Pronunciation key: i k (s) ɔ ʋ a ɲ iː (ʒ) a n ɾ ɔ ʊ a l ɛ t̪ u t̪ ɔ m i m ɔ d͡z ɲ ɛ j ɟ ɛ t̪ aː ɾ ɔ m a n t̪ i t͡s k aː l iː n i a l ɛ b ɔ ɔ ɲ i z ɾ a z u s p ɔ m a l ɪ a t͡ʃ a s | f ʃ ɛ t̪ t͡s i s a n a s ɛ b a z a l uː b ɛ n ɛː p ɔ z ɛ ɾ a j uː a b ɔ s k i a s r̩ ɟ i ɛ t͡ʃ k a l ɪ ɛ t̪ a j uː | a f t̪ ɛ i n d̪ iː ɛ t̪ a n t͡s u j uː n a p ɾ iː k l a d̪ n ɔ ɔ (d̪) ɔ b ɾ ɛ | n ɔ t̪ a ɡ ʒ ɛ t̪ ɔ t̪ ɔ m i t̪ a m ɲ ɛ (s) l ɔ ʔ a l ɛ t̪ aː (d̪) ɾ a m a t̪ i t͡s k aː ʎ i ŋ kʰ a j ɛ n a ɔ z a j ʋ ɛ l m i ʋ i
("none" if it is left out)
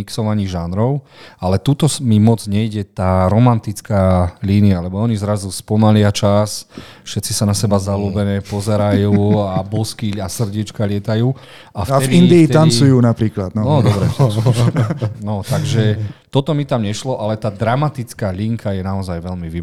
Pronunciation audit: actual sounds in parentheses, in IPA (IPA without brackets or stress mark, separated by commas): s, ʒ, d̪, ʃ, d̪